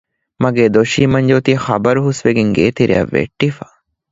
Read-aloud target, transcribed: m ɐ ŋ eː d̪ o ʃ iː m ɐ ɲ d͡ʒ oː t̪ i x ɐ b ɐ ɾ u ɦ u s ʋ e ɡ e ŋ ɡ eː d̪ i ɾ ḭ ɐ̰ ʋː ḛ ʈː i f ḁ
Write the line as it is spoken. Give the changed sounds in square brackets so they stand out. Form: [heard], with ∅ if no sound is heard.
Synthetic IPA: m ɐ [ɡ] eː d̪ o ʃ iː m ɐ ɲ d͡ʒ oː t̪ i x ɐ b ɐ ɾ u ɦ u s ʋ e ɡ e ŋ ɡ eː [t̪] i ɾ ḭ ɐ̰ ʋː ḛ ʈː i f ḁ